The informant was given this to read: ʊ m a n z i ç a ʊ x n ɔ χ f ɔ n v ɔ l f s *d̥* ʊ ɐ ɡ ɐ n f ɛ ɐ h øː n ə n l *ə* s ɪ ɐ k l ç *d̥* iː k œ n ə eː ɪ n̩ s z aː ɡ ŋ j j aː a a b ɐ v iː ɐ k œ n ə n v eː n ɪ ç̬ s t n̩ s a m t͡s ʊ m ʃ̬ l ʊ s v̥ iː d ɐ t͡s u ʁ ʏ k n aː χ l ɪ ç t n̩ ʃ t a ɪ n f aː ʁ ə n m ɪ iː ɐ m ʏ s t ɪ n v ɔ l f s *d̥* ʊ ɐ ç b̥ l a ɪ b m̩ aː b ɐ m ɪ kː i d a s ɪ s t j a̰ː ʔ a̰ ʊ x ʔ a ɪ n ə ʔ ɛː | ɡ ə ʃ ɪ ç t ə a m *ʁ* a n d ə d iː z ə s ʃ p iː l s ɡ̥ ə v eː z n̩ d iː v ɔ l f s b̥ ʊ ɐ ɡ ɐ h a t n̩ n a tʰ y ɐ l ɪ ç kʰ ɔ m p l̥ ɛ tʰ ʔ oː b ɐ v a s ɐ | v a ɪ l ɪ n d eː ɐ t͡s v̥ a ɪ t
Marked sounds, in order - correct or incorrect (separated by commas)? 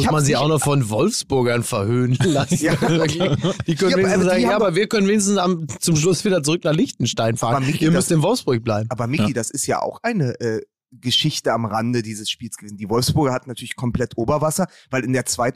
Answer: incorrect, incorrect, correct, incorrect, correct